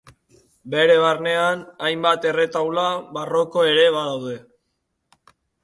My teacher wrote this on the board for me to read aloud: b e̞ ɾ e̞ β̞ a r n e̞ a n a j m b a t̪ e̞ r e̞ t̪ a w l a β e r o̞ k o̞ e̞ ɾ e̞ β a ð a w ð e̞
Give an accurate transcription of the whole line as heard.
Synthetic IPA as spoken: b e̞ ɾ e̞ β̞ a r n e̞ a n a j m b a t̪ e̞ r e̞ t̪ a w l a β a r o̞ k o̞ e̞ ɾ e̞ β a ð a w ð e̞